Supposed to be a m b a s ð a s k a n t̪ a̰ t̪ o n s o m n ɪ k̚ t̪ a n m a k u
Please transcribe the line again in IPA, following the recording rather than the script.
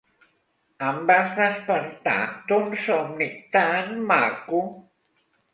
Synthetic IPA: a m b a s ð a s p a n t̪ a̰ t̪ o n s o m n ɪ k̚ t̪ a n m a k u